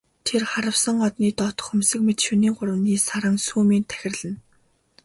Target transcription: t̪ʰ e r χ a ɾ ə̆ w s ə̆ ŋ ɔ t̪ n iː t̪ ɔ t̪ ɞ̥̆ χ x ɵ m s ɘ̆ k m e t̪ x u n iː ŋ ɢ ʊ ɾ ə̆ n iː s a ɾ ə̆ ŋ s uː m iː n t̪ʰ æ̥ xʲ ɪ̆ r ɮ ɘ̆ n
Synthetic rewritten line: t̪ʰ e r χ a ɾ ə̆ w s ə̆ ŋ ɔ t̪ n iː t̪ ɔ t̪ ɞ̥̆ χ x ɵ m s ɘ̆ k m e t̪ ʃ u n iː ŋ ɢ ʊ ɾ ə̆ n iː s a ɾ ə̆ ŋ s uː m iː n t̪ʰ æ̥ xʲ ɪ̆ r ɮ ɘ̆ n

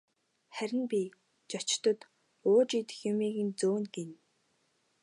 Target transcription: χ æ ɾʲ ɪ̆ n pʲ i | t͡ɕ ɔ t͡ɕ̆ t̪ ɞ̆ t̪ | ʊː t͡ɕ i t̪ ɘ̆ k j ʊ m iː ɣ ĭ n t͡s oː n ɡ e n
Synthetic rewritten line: χ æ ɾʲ ɪ̆ n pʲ i | t͡ɕ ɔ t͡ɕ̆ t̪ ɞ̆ t̪ | ʊː t͡ɕ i t̪ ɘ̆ x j ʊ m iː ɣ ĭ n t͡s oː n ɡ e n

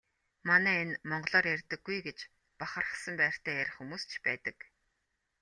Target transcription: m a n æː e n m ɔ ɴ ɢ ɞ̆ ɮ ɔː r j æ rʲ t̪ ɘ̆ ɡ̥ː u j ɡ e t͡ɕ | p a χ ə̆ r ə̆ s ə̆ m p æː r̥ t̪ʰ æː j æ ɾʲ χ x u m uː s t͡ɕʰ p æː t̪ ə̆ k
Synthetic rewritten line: m a n æː e n m ɔ ɴ ɢ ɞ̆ ɮ ɔː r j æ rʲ t̪ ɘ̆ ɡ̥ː u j ɡ e t͡ɕ | p a χ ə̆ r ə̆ s ə̆ m p æː r̥ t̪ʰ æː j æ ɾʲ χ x u m uː s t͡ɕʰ p æː t̪ ə̆ k

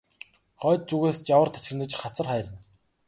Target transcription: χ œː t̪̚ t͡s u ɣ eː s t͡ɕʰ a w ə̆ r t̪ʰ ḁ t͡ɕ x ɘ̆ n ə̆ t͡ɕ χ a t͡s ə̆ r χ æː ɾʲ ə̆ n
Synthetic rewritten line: χ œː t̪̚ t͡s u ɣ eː s t͡ɕ a w ə̆ r t̪ʰ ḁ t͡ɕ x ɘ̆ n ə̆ t͡ɕ χ a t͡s ə̆ r χ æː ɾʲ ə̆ n

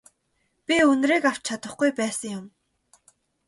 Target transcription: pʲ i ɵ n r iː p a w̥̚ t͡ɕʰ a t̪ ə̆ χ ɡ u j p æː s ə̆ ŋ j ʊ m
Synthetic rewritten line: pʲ i ɵ n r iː k a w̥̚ t͡ɕʰ a t̪ ə̆ χ ɡ u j p æː s ə̆ ŋ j ʊ m

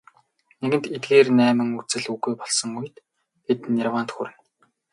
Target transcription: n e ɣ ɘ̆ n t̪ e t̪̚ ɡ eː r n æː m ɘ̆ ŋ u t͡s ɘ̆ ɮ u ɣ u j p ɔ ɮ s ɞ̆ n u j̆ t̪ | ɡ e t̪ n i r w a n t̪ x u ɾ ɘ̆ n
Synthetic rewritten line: n e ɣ ɘ̆ n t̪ e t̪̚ ɡ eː r n æː m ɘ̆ ŋ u t͡s ɘ̆ ɮ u ɣ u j p ɔ ɮ s ɞ̆ ŋ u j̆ t̪ | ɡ e t̪ n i r w a n t̪ x u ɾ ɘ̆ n

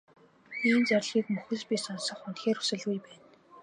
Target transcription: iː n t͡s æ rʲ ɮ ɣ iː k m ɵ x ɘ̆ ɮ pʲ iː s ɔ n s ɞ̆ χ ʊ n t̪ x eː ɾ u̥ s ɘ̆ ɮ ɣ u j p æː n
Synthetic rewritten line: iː n t͡s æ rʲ ɮ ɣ iː k m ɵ x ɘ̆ ɮ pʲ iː s ɔ n s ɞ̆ χ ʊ n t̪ x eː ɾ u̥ s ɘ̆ ɮ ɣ u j p æː n

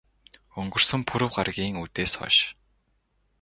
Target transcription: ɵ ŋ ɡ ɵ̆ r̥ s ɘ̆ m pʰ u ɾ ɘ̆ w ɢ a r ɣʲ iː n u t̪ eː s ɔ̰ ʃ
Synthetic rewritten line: ɵ ŋ ɡ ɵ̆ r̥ s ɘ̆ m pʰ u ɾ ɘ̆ w ɢ a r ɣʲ iː ŋ u t̪ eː s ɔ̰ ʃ

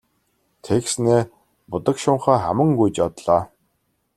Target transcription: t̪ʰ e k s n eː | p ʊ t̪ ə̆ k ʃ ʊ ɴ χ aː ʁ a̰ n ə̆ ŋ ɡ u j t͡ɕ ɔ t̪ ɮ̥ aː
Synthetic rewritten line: t̪ʰ e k s n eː | p ʊ t̪ ə̆ k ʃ ʊ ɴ χ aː χ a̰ m ə̆ ŋ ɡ u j t͡ɕ ɔ t̪ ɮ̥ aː

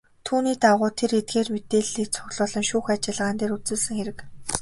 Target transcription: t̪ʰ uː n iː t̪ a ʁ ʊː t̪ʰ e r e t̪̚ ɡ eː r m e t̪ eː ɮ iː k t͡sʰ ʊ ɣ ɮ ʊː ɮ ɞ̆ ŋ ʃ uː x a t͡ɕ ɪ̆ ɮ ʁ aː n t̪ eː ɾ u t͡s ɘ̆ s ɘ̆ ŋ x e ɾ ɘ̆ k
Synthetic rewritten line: t̪ʰ uː n iː t̪ a ʁ ʊː t̪ʰ e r e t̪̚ ɡ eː r m e t̪ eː ɮ iː k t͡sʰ ʊ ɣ ɮ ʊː ɮ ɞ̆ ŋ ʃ uː x a t͡ɕ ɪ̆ ɮ ʁ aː n t̪ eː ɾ u t͡s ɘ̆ s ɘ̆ ŋ x e ɾ ɘ̆ k

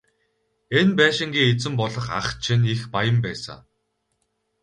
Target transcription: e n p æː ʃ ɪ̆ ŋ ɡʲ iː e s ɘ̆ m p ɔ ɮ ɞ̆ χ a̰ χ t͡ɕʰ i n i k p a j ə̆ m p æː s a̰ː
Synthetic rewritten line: e n p æː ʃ ɪ̆ ŋ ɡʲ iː e t͡s ɘ̆ m p ɔ ɮ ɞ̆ χ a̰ χ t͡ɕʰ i n i x p a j ə̆ m p æː s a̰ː

